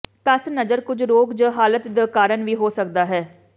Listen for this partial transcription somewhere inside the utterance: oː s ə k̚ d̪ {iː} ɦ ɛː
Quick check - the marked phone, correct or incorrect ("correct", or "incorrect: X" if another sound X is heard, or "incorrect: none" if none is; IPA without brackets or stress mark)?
incorrect: aː